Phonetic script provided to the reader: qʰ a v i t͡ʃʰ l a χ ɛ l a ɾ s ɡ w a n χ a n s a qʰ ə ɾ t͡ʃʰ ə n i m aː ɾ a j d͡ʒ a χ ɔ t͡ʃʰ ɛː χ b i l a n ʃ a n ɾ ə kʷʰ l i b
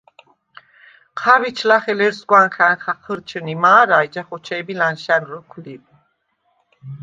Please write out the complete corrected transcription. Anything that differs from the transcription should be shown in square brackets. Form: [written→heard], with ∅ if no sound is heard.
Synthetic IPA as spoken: qʰ a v i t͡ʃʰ l a χ ɛ l [a→ɛ] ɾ s ɡ w a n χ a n [s→χ] a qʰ ə ɾ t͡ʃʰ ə n i m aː ɾ a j d͡ʒ a χ ɔ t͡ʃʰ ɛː [χ→∅] b i l a n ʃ a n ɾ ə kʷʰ l i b

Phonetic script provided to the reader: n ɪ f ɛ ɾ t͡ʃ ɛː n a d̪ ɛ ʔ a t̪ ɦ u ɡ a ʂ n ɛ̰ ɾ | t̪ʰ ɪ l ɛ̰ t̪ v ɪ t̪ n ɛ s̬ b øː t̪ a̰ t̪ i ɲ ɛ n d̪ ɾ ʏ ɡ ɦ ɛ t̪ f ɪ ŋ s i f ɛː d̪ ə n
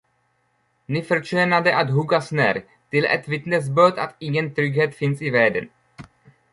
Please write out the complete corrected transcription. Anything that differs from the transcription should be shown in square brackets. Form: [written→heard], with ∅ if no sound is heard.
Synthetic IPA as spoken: n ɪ f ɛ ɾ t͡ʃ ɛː n a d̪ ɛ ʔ a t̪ ɦ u ɡ a [ʂ→s] n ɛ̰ ɾ | [t̪ʰ→t̪] ɪ l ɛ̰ t̪ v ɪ t̪ n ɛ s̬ b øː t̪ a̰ t̪ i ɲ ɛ n [d̪→t̪] ɾ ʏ ɡ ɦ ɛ t̪ f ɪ [ŋ→n] s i [f→v] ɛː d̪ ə n

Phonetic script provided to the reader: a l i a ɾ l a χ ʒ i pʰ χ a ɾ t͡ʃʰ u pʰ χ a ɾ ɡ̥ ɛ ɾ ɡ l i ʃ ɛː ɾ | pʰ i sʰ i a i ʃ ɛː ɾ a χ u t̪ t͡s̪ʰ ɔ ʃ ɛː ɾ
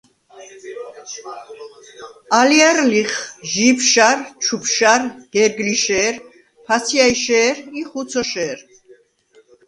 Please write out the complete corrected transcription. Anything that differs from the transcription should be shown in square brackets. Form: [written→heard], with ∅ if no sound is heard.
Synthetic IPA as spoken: a l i a ɾ l [a→i] χ ʒ i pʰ [χ→ʃ] a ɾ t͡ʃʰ u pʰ [χ→ʃ] a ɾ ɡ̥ ɛ ɾ ɡ l i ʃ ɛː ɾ | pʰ [i→a] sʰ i a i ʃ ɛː ɾ [a→i] χ u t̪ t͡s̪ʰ ɔ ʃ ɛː ɾ

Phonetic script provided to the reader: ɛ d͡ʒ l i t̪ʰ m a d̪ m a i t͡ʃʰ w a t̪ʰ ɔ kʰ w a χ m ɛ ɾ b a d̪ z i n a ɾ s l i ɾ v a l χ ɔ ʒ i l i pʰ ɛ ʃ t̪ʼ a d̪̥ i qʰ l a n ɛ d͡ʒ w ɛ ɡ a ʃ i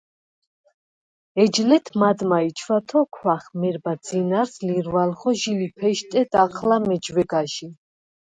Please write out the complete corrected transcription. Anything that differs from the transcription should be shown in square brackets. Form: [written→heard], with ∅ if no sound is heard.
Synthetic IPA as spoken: ɛ d͡ʒ l [i→ɛ] t̪ʰ m a d̪ m a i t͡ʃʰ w a t̪ʰ ɔ kʰ w a χ m ɛ ɾ b a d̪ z i n a ɾ s l i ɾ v a l χ ɔ ʒ i l i pʰ ɛ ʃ t̪ʼ [a→ɛ] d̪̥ [i→a] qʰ l a [n→m] ɛ d͡ʒ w ɛ ɡ a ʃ i

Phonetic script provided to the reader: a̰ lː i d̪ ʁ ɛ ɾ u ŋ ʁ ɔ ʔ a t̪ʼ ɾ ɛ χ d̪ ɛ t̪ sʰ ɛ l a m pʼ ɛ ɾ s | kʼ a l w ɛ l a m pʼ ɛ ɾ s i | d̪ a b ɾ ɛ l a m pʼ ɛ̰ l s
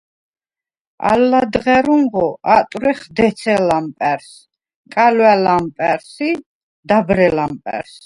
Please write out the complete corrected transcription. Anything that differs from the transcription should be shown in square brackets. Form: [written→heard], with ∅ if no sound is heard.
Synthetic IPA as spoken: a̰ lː [i→a] d̪ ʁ ɛ ɾ u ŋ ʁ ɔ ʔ a t̪ʼ ɾ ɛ χ d̪ ɛ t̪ sʰ ɛ l a m pʼ ɛ ɾ s | kʼ a l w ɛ l a m pʼ ɛ ɾ s i | d̪ a b ɾ ɛ l a m pʼ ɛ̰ [l→ɾ] s

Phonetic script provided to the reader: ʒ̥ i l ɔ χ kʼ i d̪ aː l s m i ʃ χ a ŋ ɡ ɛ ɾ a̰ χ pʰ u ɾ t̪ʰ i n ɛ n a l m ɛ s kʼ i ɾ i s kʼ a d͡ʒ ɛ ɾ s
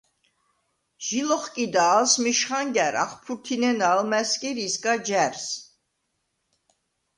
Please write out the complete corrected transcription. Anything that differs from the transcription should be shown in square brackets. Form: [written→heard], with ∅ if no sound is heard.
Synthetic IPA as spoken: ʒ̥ i l ɔ χ kʼ i d̪ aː l s m i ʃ χ a ŋ ɡ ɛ ɾ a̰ χ pʰ u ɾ t̪ʰ i n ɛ n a l m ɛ s kʼ i ɾ i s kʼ a d͡ʒ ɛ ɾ s

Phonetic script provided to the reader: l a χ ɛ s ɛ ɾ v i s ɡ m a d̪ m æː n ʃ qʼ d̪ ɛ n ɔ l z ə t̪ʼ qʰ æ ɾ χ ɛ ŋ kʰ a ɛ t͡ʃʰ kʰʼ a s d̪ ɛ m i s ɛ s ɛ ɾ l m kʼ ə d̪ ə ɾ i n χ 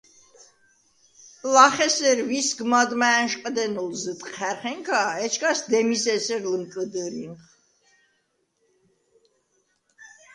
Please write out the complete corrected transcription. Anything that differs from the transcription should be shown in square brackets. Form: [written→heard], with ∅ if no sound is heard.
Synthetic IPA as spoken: l a χ ɛ s ɛ ɾ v i s ɡ m a d̪ m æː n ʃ qʼ d̪ ɛ n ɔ l z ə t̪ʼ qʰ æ ɾ χ ɛ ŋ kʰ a ɛ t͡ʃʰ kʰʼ a s d̪ ɛ m i s ɛ s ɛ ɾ l m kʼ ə d̪ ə ɾ i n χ

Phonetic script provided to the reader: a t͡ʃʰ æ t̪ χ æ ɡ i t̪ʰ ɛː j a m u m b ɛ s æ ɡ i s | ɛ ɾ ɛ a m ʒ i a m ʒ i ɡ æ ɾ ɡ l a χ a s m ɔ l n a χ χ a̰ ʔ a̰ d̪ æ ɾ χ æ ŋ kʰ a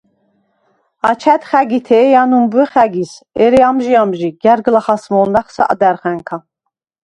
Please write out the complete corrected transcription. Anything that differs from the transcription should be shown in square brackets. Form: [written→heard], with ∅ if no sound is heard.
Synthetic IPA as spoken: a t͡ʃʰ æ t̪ χ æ ɡ i t̪ʰ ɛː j a [m→n] u m b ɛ [s→χ] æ ɡ i s | ɛ ɾ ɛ a m ʒ i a m ʒ i ɡ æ ɾ ɡ l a χ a s m ɔ l n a χ [χ→s] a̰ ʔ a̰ d̪ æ ɾ χ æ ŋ kʰ a

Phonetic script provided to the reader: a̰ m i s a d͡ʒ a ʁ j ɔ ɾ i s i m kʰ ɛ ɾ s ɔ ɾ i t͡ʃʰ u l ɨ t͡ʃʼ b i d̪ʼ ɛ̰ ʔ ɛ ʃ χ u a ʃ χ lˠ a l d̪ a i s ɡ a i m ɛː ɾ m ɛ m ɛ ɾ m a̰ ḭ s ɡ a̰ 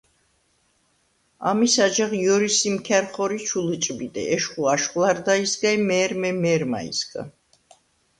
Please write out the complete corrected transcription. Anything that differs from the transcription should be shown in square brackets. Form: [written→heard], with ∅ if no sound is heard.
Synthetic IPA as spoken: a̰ m i s a d͡ʒ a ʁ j ɔ ɾ i s i m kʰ ɛ ɾ [s→χ] ɔ ɾ i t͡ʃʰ u l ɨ t͡ʃʼ b i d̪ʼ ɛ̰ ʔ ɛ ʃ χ u a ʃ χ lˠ a [l→ɾ] d̪ a i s ɡ a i m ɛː ɾ m ɛ m ɛ ɾ m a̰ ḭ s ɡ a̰

